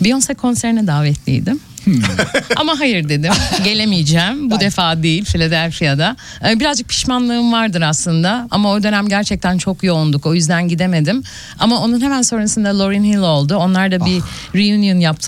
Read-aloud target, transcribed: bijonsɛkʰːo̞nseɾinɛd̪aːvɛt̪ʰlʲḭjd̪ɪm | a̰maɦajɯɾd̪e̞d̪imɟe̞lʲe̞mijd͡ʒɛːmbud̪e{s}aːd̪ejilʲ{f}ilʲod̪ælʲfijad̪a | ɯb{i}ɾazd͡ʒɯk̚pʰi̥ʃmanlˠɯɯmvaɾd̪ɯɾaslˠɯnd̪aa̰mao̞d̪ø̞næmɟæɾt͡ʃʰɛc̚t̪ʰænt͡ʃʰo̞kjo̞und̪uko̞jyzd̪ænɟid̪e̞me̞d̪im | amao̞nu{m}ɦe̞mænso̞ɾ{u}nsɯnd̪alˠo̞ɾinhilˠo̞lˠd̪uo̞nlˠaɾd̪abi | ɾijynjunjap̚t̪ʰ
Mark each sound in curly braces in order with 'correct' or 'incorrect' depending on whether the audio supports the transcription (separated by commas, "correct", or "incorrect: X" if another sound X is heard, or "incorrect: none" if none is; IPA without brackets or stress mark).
incorrect: f, correct, correct, incorrect: n, correct